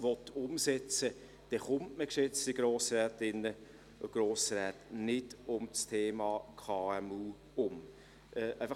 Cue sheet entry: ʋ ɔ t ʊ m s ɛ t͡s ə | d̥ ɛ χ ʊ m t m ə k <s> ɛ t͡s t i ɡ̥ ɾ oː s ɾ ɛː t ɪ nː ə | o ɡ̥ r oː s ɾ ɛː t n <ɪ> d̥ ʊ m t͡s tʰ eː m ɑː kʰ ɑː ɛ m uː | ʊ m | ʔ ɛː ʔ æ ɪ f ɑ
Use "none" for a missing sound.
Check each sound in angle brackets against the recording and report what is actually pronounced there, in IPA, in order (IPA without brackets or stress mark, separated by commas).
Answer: ʃ, ɪ